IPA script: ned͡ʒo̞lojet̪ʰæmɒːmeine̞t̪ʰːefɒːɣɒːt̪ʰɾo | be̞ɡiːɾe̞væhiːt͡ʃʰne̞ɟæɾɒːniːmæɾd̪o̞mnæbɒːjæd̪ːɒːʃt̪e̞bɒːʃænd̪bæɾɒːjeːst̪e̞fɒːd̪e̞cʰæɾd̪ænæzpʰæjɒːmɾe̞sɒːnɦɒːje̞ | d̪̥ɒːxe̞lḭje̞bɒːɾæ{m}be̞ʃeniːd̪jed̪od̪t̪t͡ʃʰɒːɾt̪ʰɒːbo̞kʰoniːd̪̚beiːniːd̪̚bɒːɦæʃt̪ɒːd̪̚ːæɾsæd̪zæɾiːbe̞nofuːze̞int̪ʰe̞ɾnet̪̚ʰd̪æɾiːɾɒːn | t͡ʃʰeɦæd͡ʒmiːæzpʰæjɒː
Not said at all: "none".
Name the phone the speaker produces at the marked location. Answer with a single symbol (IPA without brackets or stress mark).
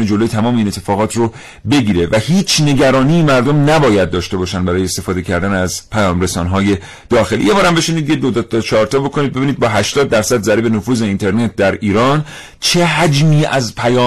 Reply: m